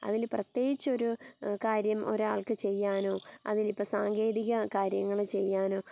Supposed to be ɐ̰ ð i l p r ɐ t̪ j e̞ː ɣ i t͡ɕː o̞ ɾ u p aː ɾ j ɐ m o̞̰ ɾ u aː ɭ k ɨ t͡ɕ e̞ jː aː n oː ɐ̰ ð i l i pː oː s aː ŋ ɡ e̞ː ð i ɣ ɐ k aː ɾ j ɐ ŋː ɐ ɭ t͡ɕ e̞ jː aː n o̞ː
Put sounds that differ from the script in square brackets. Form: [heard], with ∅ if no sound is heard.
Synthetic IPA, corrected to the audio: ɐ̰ ð i l p r ɐ t̪ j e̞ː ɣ i t͡ɕː o̞ ɾ u [k] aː ɾ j ɐ m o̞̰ ɾ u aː ɭ k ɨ t͡ɕ e̞ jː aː n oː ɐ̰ ð i l i pː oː s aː ŋ ɡ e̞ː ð i ɣ ɐ k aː ɾ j ɐ ŋː ɐ ɭ t͡ɕ e̞ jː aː n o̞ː